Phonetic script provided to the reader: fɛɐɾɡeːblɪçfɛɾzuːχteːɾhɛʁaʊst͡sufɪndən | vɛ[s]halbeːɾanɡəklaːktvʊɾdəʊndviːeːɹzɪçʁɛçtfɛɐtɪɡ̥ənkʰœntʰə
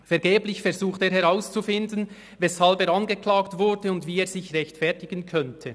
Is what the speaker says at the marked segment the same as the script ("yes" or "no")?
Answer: yes